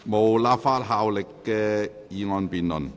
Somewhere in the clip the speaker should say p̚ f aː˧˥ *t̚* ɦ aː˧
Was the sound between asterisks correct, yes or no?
yes